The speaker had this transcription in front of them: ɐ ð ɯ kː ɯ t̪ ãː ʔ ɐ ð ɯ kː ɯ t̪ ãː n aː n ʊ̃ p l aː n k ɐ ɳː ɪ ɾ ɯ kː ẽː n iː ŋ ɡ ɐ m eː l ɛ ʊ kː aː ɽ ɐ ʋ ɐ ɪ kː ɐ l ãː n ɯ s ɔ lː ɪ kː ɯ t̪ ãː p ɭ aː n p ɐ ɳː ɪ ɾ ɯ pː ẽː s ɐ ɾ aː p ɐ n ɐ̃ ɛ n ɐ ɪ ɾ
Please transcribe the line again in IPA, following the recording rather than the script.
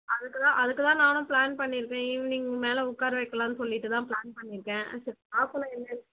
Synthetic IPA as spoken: ɐ ð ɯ kː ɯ t̪ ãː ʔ ɐ ð ɯ kː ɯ t̪ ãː n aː n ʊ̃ p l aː n p ɐ ɳː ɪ ɾ ɯ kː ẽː n iː ŋ ɡ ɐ m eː l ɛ ʊ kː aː ɾ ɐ ʋ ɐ ɪ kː ɐ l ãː n ɯ s ɔ lː ɪ ʈː ɯ t̪ ãː p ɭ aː n p ɐ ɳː ɪ ɾ ɯ kː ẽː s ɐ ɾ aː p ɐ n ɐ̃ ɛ nː ɐ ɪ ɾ

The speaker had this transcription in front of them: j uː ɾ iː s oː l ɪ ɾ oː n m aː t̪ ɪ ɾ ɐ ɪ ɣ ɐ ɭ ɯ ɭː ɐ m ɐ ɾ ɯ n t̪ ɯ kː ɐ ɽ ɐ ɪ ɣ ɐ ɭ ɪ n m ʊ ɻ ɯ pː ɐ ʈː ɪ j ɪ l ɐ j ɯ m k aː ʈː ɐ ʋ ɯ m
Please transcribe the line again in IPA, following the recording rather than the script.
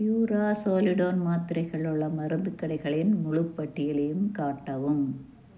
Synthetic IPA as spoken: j uː ɾ aː s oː l ɪ ɽ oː n m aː t̪ ɪ ɾ ɐ ɪ ɣ ɐ ɭ ɯ ɭː ɐ m ɐ ɾ ɯ n d̪ ɯ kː ɐ ɽ ɐ ɪ ɣ ɐ ɭ ɪ n m ʊ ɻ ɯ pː ɐ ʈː ɪ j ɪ l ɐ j ɯ m k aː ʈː ɐ ʋ ɯ m

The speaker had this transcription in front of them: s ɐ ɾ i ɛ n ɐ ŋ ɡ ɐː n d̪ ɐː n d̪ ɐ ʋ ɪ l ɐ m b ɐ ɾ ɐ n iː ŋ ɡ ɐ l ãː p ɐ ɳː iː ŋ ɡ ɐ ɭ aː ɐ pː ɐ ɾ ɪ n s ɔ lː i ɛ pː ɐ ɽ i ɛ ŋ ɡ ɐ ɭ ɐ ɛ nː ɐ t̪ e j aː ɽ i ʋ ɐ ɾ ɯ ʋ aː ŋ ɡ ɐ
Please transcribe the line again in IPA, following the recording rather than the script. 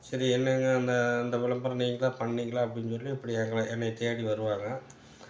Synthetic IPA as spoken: s ɐ ɾ i ɛ nː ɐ ŋ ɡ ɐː n d̪ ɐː n d̪ ɐ ʋ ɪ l ɐ m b ɐ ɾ ɐ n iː ŋ ɡ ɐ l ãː p ɐ ɳː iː ŋ ɡ ɐ ɭ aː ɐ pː ɐ ɽ ɪ n s ɔ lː i ɛ pː ɐ ɽ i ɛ ŋ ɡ ɐ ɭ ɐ ɛ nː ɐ t̪ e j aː ɽ i ʋ ɐ ɾ ɯ ʋ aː ŋ ɡ ɐ

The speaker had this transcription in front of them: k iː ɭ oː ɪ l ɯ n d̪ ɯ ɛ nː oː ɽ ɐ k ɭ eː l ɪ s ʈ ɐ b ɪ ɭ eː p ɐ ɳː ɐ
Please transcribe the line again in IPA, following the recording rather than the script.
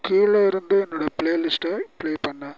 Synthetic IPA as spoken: k iː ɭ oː ɪ ɾ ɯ n d̪ ɯ ɛ nː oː ɽ ɐ p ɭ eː l ɪ s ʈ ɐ p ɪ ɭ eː p ɐ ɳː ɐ

